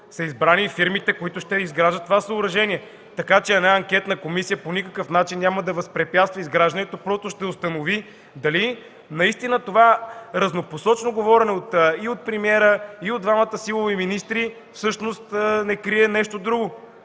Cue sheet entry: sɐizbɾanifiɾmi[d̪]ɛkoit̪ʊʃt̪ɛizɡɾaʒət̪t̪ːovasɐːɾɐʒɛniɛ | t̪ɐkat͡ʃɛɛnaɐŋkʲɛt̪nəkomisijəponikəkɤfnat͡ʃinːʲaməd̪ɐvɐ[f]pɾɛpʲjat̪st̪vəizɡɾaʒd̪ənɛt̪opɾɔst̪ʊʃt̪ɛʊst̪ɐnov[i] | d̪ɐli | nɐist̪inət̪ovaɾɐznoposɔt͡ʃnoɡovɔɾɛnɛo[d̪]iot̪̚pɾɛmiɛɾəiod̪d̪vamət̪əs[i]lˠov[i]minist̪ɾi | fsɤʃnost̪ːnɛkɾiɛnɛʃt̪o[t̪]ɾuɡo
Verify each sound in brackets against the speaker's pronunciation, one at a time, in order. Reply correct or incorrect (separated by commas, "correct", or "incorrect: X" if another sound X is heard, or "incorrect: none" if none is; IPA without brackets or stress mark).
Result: incorrect: t̪, incorrect: s, correct, incorrect: t̪, correct, correct, incorrect: d̪